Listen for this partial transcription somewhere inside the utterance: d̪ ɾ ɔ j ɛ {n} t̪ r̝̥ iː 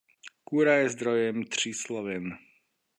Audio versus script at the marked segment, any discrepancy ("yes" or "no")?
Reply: yes